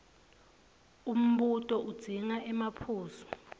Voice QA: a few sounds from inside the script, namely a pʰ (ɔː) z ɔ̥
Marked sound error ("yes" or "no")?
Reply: yes